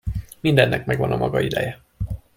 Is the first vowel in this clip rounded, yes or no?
no